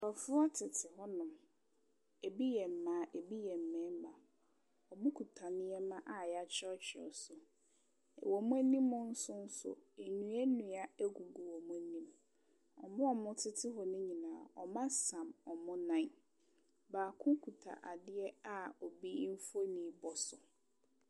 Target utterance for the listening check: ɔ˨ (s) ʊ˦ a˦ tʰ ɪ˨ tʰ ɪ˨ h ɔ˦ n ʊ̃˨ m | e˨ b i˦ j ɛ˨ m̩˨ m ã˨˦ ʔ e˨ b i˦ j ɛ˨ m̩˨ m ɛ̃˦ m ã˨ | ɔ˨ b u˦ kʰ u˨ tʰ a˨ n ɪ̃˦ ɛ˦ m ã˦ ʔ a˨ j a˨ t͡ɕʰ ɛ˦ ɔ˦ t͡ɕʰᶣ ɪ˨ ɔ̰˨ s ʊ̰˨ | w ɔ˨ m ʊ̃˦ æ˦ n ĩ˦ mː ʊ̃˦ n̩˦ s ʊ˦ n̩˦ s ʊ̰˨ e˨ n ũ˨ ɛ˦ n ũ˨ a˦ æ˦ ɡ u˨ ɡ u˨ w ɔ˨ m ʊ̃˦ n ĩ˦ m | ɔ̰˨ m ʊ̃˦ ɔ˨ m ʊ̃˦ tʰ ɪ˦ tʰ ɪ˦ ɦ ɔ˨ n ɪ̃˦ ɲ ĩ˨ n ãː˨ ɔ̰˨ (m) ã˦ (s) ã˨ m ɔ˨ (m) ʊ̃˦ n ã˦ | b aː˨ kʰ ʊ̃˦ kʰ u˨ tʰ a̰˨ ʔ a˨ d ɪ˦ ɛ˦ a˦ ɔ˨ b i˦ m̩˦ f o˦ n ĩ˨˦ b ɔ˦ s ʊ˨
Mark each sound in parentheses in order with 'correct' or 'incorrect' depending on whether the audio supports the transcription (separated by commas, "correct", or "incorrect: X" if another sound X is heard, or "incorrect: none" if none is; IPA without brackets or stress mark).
incorrect: f, correct, correct, correct